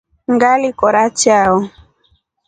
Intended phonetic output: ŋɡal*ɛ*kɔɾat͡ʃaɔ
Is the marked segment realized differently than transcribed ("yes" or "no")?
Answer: yes